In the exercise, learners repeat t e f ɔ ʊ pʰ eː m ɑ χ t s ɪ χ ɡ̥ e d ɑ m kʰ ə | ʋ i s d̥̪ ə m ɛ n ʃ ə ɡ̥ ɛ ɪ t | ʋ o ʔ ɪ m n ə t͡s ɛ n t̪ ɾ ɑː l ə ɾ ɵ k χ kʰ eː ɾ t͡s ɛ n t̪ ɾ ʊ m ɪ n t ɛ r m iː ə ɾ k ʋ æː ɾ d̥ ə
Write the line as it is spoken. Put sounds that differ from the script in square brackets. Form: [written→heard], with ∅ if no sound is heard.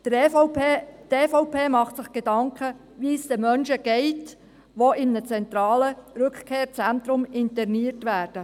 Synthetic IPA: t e f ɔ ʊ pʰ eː m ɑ χ t s ɪ χ ɡ̥ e d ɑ [m→ŋ] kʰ ə | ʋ i s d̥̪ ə m [ɛ→œ] n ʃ ə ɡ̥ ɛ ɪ t | ʋ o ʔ ɪ m n ə t͡s ɛ n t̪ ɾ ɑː l ə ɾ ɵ k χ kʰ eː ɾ t͡s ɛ n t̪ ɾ ʊ m ɪ n t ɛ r [m→n] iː ə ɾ [k→t] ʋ æː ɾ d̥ ə